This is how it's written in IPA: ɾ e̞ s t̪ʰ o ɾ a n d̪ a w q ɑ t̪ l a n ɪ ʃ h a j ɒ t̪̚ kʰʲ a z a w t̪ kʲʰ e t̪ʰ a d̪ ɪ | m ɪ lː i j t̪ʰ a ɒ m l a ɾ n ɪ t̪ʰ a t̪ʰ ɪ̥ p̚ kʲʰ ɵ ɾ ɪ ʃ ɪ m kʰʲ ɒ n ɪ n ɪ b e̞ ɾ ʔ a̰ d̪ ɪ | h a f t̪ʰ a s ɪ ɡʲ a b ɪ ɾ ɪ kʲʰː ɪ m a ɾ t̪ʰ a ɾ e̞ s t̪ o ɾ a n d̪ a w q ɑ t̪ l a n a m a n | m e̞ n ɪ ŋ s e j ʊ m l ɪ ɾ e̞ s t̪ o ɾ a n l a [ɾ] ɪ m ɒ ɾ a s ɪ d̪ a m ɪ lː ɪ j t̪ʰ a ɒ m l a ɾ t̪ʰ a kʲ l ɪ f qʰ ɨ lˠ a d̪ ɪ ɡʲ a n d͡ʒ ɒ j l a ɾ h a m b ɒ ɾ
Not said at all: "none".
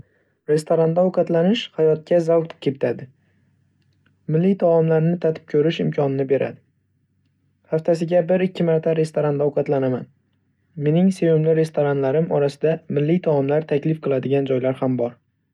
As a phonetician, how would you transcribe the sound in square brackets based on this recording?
ɾ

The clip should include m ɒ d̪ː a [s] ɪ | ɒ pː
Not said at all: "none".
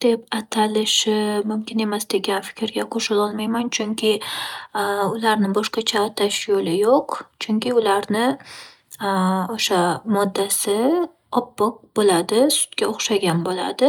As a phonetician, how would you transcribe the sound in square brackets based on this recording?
s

